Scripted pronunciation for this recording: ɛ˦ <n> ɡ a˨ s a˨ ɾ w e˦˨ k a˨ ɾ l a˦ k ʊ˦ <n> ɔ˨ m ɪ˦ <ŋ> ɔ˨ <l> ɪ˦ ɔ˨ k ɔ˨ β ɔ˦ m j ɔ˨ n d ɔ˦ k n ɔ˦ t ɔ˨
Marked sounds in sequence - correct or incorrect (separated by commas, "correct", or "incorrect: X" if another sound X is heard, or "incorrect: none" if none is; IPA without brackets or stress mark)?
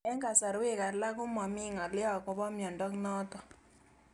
incorrect: ŋ, incorrect: m, correct, correct